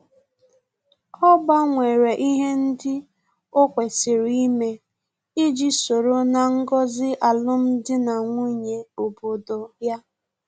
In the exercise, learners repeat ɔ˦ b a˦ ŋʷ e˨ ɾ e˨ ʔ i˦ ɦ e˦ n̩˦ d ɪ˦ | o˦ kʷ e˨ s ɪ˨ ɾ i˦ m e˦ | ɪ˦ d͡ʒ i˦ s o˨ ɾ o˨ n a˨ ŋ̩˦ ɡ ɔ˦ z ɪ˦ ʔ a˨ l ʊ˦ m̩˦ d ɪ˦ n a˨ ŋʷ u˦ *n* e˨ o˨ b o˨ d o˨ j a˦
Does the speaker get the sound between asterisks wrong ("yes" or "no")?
yes